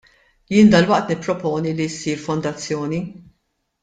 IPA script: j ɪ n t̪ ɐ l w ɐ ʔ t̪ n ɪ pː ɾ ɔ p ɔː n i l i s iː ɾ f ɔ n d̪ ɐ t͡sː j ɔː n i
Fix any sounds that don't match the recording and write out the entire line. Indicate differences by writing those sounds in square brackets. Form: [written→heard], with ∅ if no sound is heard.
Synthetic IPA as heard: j [ɪ→ɪː] n [t̪→d̪] ɐ l w ɐ ʔ t̪ n ɪ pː ɾ ɔ p ɔː n i l i s iː ɾ f ɔ n d̪ ɐ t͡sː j ɔː n i